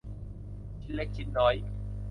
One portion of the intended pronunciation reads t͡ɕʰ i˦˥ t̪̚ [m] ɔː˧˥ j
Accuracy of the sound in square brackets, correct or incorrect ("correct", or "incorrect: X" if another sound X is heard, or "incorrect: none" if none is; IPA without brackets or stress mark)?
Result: incorrect: n